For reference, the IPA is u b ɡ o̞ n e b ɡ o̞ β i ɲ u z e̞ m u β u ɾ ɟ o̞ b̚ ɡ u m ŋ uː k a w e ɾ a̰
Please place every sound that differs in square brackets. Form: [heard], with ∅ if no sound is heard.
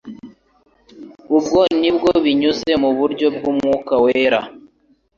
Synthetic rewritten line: u b ɡ o̞ n [i] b ɡ o̞ β i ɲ u z e̞ m u β u ɾ ɟ o̞ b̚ ɡ u m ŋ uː k a w e ɾ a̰